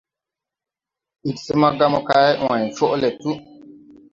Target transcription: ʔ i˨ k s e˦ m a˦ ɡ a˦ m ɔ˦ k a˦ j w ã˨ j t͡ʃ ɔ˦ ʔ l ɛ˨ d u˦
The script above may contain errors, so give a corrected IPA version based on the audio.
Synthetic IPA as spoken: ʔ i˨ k s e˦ m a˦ ɡ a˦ m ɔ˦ k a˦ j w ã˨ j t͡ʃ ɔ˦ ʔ l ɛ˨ t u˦